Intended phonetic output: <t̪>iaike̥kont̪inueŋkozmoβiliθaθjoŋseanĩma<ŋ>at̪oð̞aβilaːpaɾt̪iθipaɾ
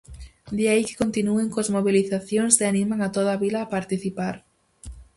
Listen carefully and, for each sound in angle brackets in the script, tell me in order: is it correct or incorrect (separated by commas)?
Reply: incorrect, correct